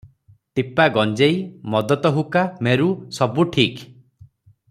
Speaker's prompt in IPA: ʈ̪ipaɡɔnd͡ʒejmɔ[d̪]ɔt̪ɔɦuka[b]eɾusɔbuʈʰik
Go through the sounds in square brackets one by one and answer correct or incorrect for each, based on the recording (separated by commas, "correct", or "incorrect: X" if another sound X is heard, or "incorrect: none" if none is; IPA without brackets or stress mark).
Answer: correct, incorrect: m